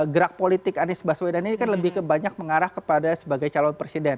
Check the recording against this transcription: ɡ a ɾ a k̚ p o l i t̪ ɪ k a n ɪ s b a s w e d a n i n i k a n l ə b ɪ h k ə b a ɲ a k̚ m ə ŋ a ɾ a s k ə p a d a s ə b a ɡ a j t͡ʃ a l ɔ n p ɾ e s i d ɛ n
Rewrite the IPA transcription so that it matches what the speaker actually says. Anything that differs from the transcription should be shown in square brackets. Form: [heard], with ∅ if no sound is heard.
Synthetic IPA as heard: ɡ [ə] ɾ a k̚ p o l i t̪ ɪ k a n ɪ s b a s w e d a n i n i k a n l ə b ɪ h k ə b a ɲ a k̚ m ə ŋ a ɾ a [h] k ə p a d a s ə b a ɡ a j t͡ʃ a l ɔ n p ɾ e s i d ɛ n

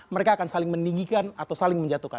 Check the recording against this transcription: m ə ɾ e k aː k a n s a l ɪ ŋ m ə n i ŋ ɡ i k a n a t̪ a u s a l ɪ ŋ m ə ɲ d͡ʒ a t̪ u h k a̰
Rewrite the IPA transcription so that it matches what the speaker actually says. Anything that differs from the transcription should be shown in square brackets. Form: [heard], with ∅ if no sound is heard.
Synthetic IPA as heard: m ə ɾ e k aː k a n s a l ɪ ŋ m ə n i ŋ ɡ i k a n a t̪ a [w] s a l ɪ ŋ m ə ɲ d͡ʒ a t̪ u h k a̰

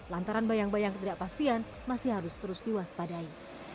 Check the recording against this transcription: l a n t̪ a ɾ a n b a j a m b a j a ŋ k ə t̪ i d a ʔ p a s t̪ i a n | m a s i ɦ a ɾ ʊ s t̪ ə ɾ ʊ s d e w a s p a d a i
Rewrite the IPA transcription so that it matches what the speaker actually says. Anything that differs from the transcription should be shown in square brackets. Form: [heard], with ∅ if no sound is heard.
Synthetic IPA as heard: l a n t̪ a ɾ a n b a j a [ŋ] b a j a ŋ k ə t̪ i d a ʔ p a s t̪ i a n | m a s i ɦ a ɾ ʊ s t̪ ə ɾ ʊ s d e w a s p a d a i

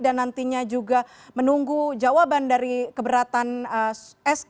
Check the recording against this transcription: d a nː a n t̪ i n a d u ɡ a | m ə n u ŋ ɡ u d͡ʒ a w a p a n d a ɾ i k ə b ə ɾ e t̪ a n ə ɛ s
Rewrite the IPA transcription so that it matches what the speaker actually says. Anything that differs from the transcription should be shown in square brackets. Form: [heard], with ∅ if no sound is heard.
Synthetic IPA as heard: d a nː a n t̪ i [ɲ] a [d͡ʒ] u ɡ a | m ə n u ŋ ɡ u d͡ʒ a w a [b] a n d a ɾ i k ə b ə ɾ [a] t̪ a n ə ɛ s

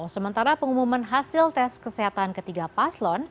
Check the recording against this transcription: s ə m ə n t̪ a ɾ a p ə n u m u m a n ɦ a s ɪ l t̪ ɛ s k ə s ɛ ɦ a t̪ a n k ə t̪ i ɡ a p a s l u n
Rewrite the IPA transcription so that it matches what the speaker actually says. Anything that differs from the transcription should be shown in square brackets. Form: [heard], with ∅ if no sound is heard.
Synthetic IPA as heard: s ə m ə n t̪ a ɾ a p ə [ŋ] u m u m a n ɦ a s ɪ l t̪ ɛ s k ə s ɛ ɦ a t̪ a n k ə t̪ i ɡ a p a s l [ɔ] n

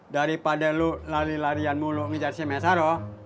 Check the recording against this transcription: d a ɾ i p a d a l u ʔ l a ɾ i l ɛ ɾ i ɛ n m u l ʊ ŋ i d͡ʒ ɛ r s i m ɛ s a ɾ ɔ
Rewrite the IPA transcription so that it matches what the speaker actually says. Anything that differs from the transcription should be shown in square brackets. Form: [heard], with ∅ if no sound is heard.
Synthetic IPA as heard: d a ɾ i p a d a l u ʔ l a ɾ i l [a] ɾ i [a] n m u l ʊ ŋ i d͡ʒ [a] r s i m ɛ s a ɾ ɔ

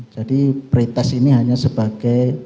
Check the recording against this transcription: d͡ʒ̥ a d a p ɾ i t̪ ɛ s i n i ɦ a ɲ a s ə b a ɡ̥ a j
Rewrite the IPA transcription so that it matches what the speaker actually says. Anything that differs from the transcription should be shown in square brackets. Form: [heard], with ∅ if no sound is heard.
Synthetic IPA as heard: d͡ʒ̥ a d [i] p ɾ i t̪ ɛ s i n i ɦ a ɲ a s ə b a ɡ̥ a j

